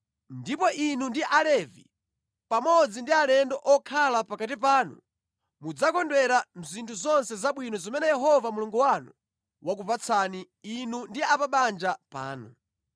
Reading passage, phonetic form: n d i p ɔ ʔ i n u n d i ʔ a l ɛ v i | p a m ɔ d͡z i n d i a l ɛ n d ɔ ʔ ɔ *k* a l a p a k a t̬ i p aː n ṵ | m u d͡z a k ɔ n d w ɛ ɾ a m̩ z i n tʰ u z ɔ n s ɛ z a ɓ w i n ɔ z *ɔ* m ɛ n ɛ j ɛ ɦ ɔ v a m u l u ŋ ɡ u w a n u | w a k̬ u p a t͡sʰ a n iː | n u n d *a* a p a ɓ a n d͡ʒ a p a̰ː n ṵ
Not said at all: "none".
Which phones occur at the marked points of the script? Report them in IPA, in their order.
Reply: kʰ, ɔ, i

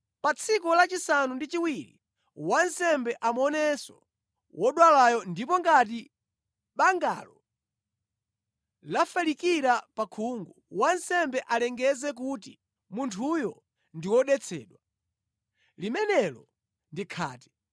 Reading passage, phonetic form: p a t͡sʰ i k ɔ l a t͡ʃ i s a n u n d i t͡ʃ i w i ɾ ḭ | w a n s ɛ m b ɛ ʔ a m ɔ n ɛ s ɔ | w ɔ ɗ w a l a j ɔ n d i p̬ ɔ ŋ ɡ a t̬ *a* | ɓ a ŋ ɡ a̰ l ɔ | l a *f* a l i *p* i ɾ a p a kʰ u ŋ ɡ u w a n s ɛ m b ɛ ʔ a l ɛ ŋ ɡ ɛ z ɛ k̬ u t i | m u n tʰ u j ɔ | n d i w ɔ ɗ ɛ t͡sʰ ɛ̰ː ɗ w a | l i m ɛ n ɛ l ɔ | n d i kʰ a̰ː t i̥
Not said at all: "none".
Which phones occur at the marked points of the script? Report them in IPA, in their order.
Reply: i, f, k

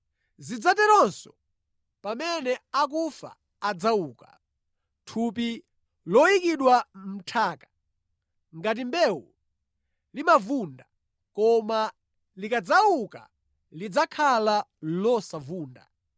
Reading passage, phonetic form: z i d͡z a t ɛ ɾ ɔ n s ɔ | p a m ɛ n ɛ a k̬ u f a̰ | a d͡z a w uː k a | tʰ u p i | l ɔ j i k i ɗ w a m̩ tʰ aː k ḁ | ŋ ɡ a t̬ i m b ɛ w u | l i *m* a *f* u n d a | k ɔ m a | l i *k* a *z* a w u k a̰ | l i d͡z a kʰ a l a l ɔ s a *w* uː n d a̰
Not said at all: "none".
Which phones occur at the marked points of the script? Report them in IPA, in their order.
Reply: m, v, k, d͡z, v

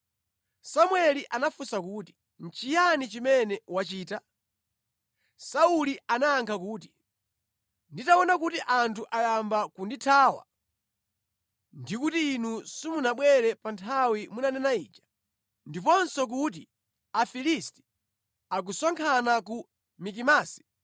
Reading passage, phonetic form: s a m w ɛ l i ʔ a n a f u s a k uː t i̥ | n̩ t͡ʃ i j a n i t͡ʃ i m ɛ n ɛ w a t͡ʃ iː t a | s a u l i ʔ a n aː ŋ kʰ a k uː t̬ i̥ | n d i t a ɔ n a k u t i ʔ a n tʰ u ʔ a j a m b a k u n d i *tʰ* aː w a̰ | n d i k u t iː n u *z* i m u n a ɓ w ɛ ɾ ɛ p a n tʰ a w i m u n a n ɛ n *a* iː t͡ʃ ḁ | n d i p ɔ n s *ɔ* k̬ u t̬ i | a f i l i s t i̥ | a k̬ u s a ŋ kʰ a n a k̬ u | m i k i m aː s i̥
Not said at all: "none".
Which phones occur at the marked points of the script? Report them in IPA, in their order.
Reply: tʰ, s, a, ɔ

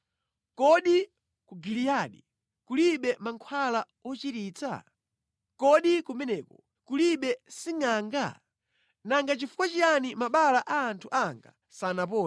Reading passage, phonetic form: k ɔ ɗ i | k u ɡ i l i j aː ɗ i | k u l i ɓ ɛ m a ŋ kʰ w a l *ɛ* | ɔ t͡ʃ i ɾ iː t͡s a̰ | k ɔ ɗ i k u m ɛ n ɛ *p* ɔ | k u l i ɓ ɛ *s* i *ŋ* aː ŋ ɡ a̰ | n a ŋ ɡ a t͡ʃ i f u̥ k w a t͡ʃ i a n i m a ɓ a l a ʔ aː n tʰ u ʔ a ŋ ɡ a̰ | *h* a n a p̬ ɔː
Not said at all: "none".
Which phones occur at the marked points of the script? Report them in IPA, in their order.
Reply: a, k, s, ŋ, s

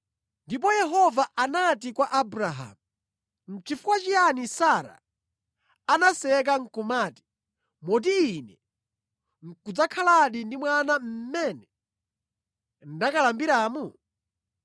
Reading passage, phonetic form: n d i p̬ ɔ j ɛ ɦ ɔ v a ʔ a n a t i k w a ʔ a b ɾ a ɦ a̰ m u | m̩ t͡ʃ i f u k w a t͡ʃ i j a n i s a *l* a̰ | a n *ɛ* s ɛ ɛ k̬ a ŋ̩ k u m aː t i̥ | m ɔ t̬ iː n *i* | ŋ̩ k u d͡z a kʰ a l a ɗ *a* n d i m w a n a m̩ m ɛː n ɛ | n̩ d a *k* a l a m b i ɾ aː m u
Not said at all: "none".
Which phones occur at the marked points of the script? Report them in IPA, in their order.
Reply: ɾ, a, ɛ, i, k

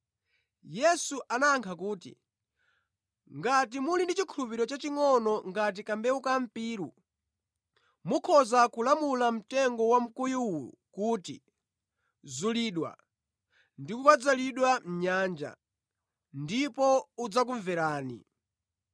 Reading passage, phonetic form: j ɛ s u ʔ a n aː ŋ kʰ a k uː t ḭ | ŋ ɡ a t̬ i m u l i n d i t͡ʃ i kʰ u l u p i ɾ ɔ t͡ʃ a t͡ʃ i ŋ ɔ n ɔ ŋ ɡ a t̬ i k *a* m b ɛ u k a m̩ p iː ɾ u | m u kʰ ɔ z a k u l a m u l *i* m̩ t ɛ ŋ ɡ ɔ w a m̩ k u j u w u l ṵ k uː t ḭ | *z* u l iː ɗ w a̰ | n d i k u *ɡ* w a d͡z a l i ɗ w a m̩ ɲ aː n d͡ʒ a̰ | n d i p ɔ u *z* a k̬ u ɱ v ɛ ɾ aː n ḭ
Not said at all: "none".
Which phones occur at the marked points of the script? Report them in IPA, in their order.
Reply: a, a, z, k, d͡z

